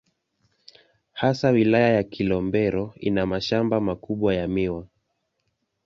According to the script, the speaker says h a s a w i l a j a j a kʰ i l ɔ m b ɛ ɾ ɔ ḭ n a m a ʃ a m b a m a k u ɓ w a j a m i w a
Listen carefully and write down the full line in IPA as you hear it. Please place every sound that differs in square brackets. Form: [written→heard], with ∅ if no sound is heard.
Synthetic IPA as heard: h a s a w i l a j a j a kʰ i l ɔ m b ɛ ɾ ɔ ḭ n a m a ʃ a m b a m a k u ɓ w a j a m i w a